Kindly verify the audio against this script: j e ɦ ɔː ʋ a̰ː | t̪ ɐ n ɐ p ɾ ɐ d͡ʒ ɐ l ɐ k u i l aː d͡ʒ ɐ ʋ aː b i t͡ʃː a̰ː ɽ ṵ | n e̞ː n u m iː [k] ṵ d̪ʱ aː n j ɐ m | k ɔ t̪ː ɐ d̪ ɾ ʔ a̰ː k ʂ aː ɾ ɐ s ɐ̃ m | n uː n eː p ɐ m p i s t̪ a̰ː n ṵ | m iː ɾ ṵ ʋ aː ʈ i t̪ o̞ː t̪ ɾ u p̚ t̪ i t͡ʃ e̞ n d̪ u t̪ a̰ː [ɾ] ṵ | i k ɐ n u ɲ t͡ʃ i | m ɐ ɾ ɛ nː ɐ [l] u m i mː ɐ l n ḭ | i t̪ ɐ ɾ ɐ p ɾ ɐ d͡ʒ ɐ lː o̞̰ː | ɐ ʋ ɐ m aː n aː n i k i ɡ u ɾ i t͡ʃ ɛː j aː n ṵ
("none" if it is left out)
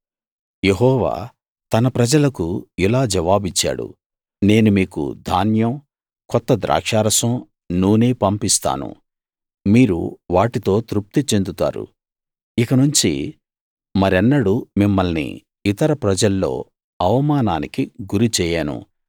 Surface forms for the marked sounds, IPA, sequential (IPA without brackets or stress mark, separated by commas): k, ɾ, ɽ